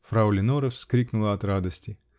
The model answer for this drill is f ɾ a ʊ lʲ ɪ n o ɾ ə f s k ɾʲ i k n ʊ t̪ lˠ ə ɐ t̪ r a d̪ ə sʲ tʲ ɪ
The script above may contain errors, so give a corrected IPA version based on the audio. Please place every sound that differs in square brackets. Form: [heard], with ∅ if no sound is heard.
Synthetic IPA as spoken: f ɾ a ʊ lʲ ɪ n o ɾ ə f s k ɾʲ i k n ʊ [∅] lˠ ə ɐ t̪ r a d̪ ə sʲ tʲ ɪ